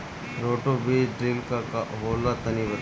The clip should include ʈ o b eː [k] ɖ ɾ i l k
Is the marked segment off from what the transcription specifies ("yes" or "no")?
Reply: yes